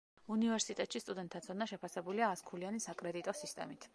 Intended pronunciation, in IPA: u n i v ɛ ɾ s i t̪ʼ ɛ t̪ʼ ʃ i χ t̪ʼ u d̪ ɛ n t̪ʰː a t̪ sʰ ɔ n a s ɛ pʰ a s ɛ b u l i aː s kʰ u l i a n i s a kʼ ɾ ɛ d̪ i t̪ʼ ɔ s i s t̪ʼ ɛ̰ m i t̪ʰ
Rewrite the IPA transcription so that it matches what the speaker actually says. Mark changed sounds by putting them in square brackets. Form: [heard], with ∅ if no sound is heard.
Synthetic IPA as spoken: u n i v ɛ ɾ s i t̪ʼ ɛ t̪ʼ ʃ i [s] t̪ʼ u d̪ ɛ n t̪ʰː a t̪ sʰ ɔ n a [ʃ] ɛ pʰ a s ɛ b u l i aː s kʰ u l i a n i s a kʼ ɾ ɛ d̪ i t̪ʼ ɔ s i s t̪ʼ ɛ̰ m i t̪ʰ